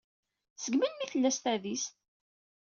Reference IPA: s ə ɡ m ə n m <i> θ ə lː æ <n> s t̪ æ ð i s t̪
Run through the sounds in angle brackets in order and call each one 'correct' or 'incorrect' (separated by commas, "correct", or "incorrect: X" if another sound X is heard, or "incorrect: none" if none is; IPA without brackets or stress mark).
correct, incorrect: none